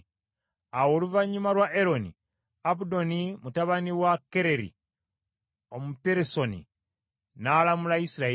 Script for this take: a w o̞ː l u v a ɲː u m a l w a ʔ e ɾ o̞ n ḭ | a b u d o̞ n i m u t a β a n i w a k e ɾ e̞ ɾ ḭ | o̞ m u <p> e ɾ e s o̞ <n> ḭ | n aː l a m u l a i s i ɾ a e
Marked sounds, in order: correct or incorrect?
correct, correct

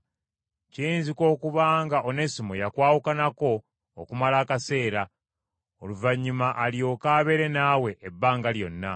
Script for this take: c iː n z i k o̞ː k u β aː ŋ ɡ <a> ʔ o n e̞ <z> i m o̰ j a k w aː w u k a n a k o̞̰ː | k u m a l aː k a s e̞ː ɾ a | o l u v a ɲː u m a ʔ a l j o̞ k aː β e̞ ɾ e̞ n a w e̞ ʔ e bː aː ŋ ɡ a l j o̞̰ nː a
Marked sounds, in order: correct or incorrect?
correct, incorrect

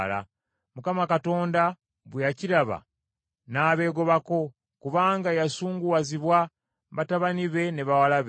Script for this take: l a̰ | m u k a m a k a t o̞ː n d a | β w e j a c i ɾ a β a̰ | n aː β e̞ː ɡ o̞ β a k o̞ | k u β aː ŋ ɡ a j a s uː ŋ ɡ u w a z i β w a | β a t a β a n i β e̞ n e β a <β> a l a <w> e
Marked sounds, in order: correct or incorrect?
incorrect, incorrect

